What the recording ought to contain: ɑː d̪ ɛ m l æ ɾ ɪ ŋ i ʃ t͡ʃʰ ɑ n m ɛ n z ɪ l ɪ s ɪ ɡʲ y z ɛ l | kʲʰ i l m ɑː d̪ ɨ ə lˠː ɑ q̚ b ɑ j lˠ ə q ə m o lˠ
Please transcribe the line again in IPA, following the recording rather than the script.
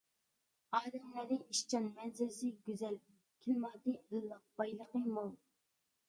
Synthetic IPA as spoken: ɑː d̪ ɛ m l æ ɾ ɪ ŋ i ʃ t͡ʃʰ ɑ n m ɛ n z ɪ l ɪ s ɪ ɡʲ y z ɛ l | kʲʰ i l m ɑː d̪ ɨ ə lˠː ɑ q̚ b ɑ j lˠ ə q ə m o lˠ